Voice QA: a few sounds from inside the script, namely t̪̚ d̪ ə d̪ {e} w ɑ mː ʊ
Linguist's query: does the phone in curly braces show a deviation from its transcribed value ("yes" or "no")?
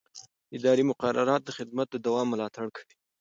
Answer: yes